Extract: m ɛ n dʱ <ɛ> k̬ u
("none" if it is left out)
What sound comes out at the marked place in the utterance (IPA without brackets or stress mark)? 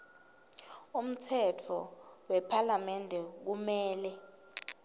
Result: ɛ